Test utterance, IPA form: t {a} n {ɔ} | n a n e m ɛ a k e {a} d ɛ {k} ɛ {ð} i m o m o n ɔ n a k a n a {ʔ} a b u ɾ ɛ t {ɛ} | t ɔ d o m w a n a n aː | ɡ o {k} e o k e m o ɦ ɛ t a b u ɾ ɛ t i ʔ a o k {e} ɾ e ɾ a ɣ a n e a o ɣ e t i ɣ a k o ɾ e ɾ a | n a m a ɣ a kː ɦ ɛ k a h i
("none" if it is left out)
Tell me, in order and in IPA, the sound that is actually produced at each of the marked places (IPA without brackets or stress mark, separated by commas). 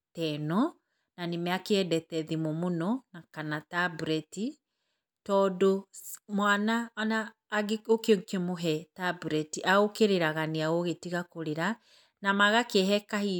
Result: ɛ, ɔ, ɛ, t, ð, t, i, k, e